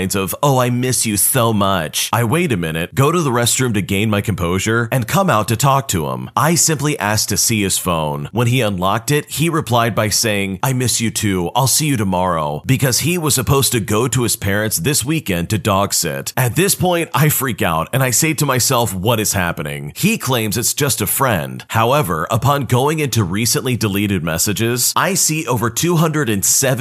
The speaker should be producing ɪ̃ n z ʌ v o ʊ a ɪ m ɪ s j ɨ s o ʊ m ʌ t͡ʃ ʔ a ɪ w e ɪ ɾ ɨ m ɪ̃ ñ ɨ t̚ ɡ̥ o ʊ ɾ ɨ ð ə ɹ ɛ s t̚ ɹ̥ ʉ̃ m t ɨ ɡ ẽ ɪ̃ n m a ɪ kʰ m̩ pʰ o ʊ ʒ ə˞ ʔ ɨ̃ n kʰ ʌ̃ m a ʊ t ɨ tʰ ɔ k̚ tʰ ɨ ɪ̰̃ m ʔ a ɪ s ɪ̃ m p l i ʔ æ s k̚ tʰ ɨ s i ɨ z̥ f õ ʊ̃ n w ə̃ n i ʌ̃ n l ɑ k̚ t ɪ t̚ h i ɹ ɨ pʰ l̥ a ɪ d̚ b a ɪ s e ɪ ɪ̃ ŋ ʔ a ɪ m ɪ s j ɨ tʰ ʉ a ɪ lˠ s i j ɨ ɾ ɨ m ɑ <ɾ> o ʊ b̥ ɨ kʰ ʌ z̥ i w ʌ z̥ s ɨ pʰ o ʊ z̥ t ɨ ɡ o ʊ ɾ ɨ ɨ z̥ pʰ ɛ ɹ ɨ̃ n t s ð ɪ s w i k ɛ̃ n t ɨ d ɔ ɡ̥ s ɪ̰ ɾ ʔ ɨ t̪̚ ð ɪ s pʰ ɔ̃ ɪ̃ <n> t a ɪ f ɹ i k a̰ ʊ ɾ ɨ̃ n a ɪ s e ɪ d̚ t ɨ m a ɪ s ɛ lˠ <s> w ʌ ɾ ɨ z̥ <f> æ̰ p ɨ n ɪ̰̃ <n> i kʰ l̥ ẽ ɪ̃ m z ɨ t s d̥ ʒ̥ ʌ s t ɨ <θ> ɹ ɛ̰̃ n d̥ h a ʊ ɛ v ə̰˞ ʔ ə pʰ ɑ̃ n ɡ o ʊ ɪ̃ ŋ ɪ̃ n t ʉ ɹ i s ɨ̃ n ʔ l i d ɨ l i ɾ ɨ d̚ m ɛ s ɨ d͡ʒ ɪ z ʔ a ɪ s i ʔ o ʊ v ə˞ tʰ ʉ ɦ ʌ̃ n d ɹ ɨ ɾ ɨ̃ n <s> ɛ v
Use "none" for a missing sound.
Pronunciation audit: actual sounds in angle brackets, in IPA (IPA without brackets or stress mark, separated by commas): ɹ, n, f, h, ŋ, f, s